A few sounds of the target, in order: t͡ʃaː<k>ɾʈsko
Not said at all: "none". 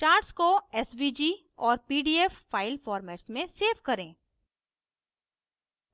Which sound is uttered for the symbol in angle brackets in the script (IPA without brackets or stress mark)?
none